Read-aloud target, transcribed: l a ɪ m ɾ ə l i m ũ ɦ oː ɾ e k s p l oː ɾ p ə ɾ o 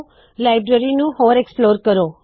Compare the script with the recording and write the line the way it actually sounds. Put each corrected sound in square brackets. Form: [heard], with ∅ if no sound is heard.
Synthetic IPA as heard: l a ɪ [b] ɾ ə [ɾ] i [n] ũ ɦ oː ɾ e k s p l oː ɾ [k] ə ɾ o